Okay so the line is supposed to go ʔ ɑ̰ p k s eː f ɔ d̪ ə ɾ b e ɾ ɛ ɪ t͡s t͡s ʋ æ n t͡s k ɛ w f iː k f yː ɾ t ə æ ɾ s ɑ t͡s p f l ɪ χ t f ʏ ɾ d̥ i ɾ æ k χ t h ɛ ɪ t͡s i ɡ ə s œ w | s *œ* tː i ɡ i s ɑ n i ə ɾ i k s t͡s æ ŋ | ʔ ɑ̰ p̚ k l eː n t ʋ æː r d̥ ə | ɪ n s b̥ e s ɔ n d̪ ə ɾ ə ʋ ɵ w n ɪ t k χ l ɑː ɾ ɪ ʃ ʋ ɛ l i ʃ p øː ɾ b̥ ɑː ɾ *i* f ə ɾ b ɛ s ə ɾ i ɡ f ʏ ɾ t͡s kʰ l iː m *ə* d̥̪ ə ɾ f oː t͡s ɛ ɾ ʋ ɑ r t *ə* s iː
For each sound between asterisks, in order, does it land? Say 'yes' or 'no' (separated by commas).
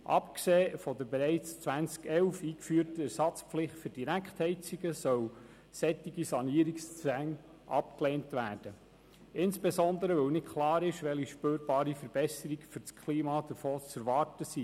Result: no, yes, no, yes